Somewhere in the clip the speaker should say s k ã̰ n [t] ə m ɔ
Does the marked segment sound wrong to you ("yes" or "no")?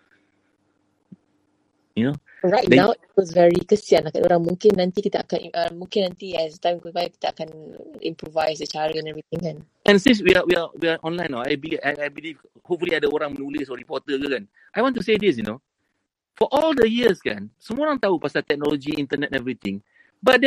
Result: yes